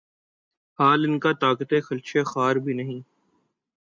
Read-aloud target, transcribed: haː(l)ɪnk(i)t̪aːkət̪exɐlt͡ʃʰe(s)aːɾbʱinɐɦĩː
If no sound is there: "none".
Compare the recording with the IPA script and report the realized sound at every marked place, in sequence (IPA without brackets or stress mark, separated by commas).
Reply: l, a, x